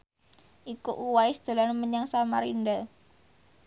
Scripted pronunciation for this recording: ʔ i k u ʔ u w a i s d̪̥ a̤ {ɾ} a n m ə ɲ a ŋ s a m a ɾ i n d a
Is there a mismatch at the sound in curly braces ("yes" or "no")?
yes